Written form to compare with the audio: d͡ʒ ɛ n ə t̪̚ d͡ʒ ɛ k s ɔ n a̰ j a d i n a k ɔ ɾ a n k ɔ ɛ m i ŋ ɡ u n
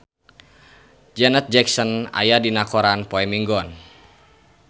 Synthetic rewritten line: d͡ʒ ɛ n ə t̪̚ d͡ʒ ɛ k s ɔ n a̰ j a d i n a k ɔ ɾ a n p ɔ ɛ m i ŋ ɡ ɔ n